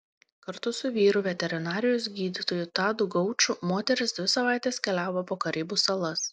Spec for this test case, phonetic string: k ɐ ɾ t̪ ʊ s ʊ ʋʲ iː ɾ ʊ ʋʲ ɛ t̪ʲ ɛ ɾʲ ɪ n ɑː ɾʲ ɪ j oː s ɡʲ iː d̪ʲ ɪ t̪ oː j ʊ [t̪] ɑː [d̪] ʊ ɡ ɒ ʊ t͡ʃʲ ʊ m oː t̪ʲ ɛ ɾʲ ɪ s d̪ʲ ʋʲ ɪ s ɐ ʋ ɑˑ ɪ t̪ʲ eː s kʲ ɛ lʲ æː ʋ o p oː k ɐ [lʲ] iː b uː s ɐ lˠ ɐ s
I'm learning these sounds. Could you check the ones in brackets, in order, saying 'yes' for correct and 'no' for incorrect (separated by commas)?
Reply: yes, yes, no